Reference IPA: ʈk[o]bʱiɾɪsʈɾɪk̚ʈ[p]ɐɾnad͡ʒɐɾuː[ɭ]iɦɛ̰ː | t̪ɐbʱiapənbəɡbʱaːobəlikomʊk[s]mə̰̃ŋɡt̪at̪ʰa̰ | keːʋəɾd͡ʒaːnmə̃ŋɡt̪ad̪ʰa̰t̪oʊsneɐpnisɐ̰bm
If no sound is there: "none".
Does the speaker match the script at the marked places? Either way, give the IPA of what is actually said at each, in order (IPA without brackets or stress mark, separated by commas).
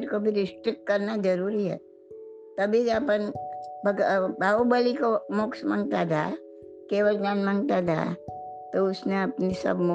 o, k, ɾ, s